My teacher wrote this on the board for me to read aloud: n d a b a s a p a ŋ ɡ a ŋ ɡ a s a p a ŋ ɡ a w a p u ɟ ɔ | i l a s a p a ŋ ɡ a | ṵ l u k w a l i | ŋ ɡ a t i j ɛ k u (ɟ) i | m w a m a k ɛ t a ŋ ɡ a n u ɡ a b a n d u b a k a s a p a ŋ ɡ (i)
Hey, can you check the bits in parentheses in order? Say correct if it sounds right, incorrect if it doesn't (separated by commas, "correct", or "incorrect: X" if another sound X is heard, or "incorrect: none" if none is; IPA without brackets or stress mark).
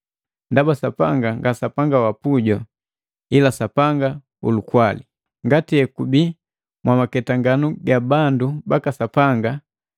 incorrect: b, incorrect: a